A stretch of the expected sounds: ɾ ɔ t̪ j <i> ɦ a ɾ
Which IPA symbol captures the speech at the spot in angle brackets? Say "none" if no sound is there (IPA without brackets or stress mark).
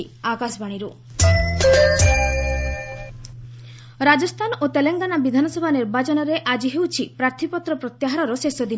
a